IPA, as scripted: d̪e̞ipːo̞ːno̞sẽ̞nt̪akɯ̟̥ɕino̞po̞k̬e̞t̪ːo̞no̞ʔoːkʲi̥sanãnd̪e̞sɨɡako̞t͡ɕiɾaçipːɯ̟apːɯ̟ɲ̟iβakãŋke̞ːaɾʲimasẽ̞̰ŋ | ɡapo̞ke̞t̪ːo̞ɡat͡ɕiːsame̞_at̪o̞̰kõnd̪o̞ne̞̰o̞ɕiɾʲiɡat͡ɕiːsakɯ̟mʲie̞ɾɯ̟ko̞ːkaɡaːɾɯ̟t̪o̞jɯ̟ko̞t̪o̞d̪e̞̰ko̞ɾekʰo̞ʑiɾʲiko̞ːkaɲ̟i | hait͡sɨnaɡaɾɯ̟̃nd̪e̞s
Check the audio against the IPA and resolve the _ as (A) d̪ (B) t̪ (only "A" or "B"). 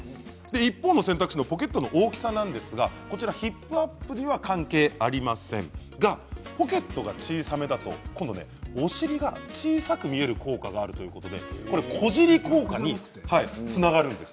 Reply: A